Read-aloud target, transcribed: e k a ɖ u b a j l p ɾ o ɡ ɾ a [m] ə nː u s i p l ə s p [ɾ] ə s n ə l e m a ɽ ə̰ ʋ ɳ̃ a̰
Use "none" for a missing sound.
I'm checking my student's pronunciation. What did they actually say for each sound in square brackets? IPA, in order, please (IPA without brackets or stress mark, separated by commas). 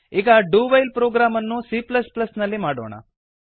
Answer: m, l